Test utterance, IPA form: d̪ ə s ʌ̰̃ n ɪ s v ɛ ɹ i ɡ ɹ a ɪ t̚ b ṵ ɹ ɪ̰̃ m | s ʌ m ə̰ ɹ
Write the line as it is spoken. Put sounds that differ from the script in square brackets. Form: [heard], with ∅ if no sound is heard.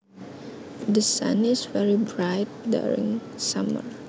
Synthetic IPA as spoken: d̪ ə s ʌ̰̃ n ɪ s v ɛ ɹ i [b] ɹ a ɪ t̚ [d] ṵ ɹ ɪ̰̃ [ŋ] | s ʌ m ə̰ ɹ